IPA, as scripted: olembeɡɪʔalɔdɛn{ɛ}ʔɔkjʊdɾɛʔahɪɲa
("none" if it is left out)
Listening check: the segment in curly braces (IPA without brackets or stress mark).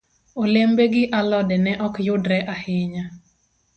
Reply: ɛ